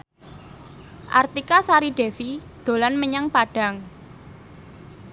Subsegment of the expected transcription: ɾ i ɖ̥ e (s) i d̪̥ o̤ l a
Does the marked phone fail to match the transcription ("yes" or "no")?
yes